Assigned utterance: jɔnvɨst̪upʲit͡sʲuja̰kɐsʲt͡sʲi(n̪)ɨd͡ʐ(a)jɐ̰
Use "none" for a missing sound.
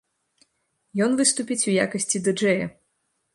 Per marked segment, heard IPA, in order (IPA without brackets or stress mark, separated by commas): d̪, ɛ